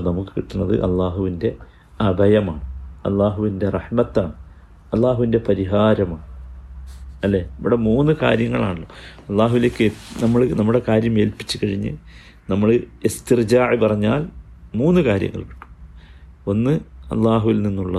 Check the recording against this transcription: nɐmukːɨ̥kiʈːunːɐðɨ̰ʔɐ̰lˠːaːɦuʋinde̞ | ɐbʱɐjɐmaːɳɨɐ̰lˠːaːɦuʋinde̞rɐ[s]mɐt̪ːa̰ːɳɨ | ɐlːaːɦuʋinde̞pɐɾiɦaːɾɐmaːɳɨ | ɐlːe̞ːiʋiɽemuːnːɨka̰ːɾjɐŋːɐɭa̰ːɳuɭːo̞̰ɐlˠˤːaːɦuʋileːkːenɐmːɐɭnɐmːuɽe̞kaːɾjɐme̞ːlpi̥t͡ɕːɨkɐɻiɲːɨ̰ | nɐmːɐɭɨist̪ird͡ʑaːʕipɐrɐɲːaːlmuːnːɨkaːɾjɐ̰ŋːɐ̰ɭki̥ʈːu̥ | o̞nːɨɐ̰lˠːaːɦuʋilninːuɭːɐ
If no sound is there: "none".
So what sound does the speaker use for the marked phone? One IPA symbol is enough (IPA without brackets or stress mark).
ħ